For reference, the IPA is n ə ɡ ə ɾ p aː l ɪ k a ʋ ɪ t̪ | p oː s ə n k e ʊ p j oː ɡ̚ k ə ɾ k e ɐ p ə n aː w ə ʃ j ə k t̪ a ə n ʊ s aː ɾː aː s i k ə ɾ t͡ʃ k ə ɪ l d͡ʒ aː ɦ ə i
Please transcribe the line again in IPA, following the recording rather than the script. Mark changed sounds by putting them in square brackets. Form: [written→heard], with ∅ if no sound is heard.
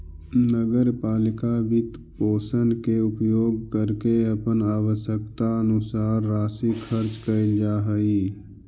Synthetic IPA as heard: n ə ɡ ə ɾ p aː l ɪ k a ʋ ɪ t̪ | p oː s ə n k e ʊ p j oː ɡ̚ k ə ɾ k e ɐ p ə n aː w ə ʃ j ə k t̪ a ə n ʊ s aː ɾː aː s i [k→kʰ] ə ɾ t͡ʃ k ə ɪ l d͡ʒ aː ɦ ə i